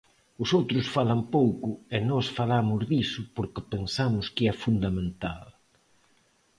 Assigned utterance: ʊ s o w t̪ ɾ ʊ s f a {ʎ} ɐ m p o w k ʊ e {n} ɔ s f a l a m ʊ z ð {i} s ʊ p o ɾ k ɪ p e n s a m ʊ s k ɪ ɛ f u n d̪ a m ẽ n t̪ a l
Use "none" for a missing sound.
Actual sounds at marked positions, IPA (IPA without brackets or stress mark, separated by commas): l, n, i